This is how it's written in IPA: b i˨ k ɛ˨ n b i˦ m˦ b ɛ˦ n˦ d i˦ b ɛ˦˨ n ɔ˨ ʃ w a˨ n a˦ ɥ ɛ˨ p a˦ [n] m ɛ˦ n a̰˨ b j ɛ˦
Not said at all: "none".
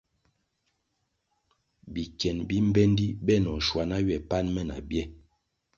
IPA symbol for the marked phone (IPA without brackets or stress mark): n